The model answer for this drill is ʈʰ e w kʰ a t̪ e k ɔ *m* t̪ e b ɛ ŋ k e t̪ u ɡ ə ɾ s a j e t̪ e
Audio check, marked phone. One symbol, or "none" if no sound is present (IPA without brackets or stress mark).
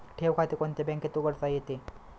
n